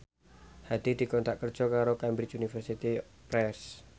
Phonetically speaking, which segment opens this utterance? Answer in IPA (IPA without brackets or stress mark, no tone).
h